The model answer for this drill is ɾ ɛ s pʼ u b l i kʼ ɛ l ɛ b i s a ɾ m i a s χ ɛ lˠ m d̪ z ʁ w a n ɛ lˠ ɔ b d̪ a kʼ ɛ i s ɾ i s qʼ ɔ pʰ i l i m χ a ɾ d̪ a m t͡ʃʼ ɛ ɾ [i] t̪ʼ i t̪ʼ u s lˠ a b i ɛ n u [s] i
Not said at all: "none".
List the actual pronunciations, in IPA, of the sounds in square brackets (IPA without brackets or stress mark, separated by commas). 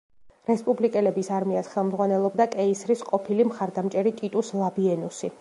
i, s